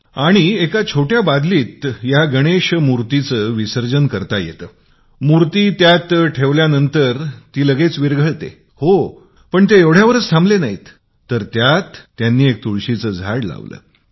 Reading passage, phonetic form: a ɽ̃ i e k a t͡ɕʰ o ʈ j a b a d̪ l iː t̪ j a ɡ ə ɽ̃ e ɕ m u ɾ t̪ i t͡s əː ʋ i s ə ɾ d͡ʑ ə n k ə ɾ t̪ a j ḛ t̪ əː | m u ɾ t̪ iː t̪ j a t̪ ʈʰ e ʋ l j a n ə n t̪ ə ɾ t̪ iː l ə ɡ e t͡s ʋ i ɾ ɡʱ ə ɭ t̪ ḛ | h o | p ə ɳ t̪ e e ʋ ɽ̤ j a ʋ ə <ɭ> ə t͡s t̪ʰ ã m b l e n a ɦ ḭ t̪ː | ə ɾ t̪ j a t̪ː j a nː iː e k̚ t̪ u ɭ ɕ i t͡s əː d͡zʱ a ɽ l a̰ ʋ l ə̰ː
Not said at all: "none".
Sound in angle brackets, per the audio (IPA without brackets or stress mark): ɾ